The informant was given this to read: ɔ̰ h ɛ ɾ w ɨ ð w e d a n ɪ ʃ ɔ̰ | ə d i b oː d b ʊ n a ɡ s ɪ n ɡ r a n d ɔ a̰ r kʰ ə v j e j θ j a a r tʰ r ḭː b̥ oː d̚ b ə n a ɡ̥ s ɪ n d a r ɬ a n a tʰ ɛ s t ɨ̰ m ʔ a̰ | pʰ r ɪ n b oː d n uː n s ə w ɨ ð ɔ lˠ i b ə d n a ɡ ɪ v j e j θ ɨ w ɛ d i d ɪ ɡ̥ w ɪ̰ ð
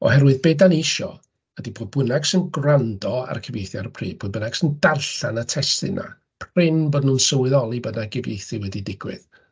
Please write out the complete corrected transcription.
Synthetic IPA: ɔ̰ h ɛ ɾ w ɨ ð b e d a n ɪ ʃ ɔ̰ | ə d i b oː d b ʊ n a ɡ s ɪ n ɡ r a n d ɔ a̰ r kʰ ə v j e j θ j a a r pʰ r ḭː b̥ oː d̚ b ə n a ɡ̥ s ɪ n d a r ɬ a n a tʰ ɛ s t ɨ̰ n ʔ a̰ | pʰ r ɪ n b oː d n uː n s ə w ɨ ð ɔ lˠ i b ə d n a ɡ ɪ v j e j θ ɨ w ɛ d i d ɪ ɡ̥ w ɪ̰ ð